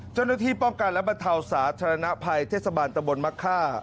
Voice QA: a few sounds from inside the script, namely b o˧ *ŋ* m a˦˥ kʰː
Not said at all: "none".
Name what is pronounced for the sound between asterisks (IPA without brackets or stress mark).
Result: n